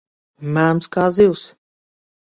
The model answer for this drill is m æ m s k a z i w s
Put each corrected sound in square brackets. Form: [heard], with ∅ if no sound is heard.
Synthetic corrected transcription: m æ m s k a z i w s